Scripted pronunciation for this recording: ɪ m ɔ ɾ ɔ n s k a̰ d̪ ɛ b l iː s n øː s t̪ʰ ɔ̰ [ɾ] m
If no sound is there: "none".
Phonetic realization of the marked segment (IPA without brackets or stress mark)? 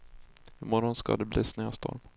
ɾ